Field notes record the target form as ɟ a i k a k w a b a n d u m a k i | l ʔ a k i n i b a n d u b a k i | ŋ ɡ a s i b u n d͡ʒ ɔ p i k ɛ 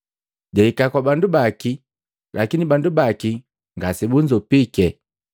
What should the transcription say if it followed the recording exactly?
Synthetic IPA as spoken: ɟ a i k a k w a b a n d u b a k i | l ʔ a k i n i b a n d u b a k i | ŋ ɡ a s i b u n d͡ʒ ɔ p i k ɛ

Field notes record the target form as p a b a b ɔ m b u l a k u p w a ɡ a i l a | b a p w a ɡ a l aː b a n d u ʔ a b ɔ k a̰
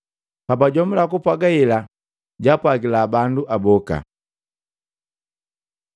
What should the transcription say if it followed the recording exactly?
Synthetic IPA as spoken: p a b a ɟ ɔ m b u l a k u p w a ɡ a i l a | ɟ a p w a ɡ i l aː b a n d u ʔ a b ɔ k a̰

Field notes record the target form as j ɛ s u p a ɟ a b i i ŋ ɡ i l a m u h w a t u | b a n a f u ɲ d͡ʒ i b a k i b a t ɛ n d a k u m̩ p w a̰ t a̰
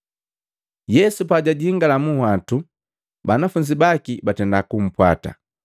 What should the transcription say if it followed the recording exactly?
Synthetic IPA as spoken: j ɛ s u p a ɟ a ɟ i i ŋ ɡ a l a m u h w a t u | b a n a f u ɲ d͡ʒ i b a k i b a t ɛ n d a k u m̩ p w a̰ t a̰

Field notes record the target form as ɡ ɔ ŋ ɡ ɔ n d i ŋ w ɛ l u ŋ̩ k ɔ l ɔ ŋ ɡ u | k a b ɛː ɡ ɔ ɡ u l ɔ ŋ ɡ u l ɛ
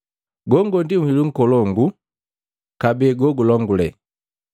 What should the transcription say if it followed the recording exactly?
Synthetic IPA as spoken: ɡ ɔ ŋ ɡ ɔ n d i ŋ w i l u ŋ̩ k ɔ l ɔ ŋ ɡ u | k a b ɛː ɡ ɔ ɡ u l ɔ ŋ ɡ u l ɛ

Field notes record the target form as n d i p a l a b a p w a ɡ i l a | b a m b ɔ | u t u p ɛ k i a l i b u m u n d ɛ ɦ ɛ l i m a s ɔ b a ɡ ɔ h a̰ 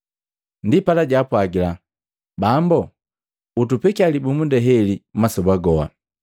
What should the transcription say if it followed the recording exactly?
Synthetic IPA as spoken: n d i p a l a ɟ a p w a ɡ i l a | b a m b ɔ | u t u p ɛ k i a l i b u m u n d ɛ ɦ ɛ l i m a s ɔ b a ɡ ɔ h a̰

